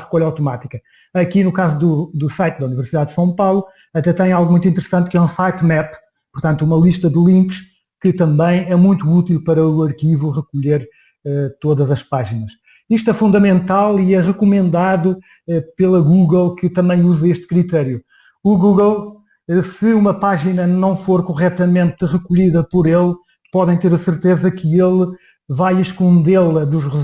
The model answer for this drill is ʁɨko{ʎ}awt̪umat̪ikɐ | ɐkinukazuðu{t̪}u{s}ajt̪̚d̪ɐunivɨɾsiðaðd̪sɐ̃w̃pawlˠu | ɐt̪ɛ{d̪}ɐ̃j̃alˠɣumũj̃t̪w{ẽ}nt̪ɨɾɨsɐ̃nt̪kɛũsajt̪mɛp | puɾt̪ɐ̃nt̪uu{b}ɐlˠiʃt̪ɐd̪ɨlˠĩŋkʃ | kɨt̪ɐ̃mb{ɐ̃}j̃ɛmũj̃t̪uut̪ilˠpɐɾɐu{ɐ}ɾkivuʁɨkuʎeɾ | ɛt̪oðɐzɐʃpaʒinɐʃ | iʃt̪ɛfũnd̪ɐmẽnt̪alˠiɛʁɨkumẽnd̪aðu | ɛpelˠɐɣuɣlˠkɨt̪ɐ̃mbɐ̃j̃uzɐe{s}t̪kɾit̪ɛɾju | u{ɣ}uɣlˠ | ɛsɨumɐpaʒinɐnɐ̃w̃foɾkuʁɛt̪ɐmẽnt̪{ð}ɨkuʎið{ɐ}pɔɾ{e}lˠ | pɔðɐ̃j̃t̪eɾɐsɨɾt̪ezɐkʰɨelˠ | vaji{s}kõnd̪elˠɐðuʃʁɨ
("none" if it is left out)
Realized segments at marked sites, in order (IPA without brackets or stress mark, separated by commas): ʎ, d̪, s, t̪, ĩ, m, ɐ̃, ɐ, ʃ, ɣ, ʁ, ɐ, e, ʃ